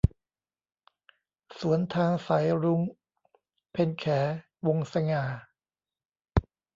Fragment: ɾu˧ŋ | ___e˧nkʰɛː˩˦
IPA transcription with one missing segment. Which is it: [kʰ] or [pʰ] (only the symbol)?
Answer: pʰ